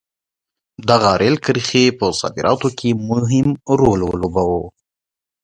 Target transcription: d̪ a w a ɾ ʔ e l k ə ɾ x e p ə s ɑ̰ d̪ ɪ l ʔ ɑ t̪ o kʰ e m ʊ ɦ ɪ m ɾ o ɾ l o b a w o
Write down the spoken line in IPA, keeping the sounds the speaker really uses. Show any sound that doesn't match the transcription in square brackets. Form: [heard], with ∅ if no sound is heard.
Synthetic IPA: d̪ a [ɣ] a ɾ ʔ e l k ə ɾ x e p ə s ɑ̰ d̪ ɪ [ɾ] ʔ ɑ t̪ o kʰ e m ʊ ɦ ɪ m ɾ o [l] l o b a w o